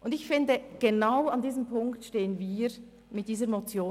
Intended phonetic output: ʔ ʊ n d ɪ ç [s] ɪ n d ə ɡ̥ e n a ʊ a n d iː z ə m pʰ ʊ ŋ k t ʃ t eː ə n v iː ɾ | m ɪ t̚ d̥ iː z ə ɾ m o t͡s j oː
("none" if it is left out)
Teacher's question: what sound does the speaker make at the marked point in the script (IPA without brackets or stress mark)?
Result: f